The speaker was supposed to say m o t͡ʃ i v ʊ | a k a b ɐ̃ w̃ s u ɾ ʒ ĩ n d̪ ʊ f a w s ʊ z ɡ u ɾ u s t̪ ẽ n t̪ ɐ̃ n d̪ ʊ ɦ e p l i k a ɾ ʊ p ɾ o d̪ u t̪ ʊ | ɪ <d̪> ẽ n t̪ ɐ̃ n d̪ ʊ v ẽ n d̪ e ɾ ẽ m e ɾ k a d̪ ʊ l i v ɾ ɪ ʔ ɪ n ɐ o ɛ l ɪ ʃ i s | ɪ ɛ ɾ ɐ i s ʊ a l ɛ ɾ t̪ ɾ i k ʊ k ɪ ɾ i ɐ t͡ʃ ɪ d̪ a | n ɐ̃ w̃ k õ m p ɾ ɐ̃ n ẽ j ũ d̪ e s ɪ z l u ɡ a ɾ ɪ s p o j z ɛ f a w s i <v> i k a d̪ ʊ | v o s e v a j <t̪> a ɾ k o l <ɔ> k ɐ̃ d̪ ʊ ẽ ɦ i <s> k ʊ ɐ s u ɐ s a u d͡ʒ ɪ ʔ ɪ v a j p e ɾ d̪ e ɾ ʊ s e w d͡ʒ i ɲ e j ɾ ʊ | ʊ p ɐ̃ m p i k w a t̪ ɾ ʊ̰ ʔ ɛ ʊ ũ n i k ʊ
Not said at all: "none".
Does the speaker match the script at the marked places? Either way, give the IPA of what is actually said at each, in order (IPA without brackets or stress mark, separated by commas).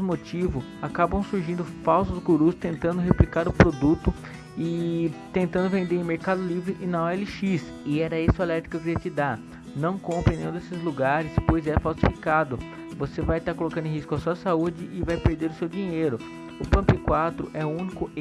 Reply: t̪, f, t̪, o, s